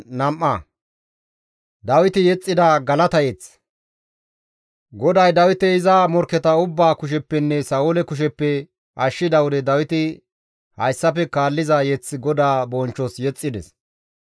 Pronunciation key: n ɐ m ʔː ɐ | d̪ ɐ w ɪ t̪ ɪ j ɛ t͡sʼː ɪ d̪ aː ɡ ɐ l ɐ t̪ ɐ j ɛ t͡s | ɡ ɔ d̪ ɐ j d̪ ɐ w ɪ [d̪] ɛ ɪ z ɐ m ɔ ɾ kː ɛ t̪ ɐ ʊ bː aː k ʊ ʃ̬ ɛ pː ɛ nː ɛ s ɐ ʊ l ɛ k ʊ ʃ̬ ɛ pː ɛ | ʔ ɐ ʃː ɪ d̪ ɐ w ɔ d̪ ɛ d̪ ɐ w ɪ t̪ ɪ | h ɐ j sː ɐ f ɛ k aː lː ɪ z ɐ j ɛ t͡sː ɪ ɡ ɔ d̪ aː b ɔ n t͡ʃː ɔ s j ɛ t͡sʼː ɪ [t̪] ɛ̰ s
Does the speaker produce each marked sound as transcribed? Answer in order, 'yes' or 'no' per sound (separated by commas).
no, no